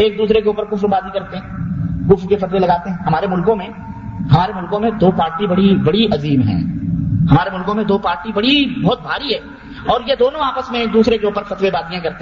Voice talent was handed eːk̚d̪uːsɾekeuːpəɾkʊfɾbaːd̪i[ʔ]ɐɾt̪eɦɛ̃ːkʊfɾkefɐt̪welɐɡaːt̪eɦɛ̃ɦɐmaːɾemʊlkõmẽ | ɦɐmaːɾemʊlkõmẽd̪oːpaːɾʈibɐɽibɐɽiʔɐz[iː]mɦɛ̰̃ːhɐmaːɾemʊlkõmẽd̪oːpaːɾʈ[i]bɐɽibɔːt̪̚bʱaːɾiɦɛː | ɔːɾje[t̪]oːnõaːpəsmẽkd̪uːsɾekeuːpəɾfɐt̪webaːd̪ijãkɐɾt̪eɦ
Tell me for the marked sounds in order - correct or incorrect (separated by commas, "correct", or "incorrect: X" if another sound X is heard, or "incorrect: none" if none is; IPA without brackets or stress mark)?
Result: incorrect: k, correct, correct, incorrect: d̪